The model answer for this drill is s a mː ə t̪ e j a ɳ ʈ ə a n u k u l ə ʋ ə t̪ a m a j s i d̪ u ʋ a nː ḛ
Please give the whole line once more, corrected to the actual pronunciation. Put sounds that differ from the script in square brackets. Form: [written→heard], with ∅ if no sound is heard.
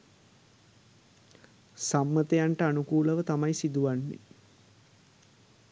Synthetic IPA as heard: s a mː ə t̪ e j a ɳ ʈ ə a n u k [u→uː] l ə ʋ ə t̪ a m a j s i d̪ u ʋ a nː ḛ

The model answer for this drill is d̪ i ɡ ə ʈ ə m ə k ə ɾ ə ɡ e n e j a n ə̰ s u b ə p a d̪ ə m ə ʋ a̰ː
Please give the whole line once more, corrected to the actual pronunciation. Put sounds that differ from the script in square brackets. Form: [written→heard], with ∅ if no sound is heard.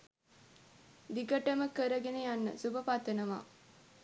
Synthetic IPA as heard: d̪ i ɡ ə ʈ ə m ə k ə ɾ ə ɡ e n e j a [n→nː] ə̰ s u b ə p a [d̪→t̪] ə [m→n] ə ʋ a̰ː

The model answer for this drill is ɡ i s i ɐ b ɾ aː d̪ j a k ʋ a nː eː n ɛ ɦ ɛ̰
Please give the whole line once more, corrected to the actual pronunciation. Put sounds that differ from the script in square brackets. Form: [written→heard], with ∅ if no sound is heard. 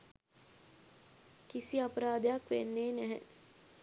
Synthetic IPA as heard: [ɡ→k] i s i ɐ [b→p] ɾ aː d̪ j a k ʋ [a→e] nː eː n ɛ ɦ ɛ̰

